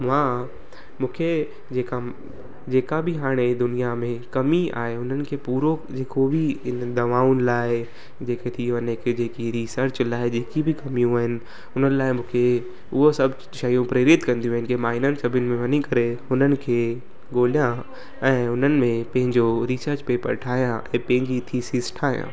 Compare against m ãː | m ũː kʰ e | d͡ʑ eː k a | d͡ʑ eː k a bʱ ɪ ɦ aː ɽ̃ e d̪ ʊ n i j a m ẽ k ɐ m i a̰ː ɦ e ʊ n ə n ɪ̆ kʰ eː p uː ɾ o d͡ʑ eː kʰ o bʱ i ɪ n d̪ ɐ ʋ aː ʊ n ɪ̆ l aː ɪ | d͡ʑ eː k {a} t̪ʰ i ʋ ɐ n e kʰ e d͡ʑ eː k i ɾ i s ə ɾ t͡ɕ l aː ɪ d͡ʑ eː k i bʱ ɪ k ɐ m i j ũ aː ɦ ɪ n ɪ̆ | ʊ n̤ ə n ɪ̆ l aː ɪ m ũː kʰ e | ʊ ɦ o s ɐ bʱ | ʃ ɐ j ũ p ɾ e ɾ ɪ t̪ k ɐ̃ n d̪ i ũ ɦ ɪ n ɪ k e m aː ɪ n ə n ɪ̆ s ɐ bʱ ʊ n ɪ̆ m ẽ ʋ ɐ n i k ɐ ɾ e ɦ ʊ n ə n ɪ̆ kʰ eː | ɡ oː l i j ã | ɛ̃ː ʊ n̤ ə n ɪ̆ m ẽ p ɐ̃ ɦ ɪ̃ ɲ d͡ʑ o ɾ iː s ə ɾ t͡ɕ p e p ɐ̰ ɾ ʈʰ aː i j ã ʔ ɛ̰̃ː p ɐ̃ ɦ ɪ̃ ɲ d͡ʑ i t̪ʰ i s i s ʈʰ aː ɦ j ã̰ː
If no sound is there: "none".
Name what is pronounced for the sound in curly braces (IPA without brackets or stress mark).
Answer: e